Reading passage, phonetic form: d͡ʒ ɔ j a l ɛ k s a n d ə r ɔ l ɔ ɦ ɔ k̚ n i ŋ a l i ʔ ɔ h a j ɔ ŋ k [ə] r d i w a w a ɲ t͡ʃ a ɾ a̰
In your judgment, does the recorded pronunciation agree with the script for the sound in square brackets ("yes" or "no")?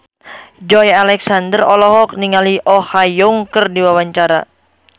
yes